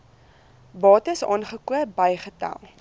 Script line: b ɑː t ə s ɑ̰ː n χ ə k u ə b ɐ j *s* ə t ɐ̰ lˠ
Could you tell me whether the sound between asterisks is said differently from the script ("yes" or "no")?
yes